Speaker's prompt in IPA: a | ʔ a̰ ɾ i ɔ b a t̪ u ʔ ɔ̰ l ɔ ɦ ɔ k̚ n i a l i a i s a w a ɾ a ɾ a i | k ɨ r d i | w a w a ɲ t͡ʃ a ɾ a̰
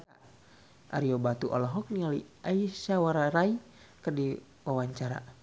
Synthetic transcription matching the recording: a | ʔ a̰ ɾ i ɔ b a t̪ u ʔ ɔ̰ l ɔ ɦ ɔ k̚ n i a l i a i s a w a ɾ a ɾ a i | k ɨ r d i | w a w a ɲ t͡ʃ a ɾ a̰